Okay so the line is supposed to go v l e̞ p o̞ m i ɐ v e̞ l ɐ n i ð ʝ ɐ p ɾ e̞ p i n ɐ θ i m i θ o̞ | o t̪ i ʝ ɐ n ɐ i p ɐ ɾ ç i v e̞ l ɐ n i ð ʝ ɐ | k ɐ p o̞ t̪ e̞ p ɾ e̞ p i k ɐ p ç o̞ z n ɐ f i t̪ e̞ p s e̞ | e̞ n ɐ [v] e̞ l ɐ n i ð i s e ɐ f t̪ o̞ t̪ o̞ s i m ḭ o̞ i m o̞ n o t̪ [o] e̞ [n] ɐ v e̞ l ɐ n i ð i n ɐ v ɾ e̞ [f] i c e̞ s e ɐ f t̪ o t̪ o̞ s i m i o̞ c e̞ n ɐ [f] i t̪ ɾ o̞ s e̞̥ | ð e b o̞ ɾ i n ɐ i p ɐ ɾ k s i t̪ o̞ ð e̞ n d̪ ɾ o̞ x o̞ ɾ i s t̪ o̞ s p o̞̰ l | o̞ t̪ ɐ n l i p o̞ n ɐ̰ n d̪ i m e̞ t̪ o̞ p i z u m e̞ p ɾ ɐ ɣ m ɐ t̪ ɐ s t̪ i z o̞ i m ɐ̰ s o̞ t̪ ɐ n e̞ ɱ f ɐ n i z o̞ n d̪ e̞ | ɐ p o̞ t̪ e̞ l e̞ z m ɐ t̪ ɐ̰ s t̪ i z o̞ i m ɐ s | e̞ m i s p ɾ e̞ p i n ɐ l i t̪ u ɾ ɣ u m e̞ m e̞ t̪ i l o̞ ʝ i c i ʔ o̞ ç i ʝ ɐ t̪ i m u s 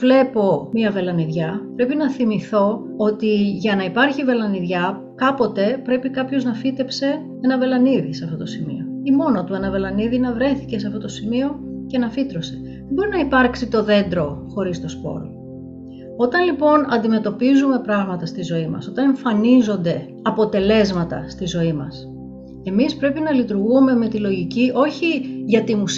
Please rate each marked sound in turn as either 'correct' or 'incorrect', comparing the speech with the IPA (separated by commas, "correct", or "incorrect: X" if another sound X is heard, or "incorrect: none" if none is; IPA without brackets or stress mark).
correct, incorrect: u, correct, incorrect: θ, correct